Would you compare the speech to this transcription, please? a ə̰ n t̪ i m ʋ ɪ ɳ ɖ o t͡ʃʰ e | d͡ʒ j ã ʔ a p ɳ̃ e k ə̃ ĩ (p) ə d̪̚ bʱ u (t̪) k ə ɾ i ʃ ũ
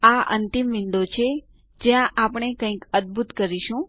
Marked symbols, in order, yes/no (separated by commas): no, yes